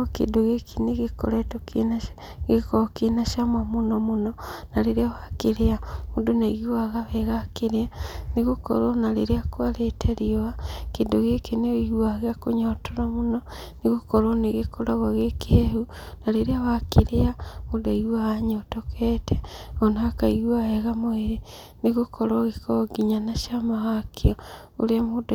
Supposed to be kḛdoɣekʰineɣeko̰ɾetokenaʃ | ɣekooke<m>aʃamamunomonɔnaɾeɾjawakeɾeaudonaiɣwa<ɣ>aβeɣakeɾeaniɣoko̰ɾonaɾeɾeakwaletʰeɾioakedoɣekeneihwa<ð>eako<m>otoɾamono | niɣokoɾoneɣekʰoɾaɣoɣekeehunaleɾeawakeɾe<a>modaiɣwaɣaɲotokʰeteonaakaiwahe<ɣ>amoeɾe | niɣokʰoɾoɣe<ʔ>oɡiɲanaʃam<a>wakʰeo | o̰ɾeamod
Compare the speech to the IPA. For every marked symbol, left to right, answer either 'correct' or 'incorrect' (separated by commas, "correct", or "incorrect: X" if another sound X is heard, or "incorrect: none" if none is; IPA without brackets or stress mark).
incorrect: n, correct, incorrect: ɣ, incorrect: ɲ, correct, correct, incorrect: k, correct